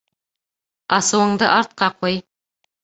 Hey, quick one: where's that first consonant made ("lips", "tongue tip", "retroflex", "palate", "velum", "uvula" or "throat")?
tongue tip